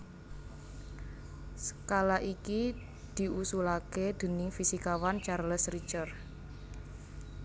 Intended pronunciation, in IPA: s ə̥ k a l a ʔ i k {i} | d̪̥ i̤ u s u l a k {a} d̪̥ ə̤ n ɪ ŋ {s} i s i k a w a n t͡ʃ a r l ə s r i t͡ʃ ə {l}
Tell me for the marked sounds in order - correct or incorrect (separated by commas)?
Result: correct, incorrect, incorrect, incorrect